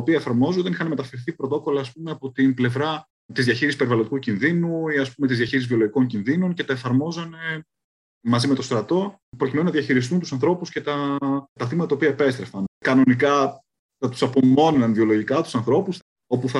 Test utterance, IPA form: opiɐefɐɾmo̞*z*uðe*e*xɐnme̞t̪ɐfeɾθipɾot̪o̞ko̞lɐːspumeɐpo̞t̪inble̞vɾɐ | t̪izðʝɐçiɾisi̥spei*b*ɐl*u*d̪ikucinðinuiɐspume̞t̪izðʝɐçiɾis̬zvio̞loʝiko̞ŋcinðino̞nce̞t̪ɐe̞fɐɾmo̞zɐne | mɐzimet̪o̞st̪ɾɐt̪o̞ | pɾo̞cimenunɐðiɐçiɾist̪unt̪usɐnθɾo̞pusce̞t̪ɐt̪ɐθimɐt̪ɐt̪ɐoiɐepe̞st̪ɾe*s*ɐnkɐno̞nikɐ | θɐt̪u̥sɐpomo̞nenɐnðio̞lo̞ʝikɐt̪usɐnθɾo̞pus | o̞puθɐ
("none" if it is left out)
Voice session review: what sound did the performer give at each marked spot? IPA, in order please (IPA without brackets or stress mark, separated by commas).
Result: z, i, v, o, f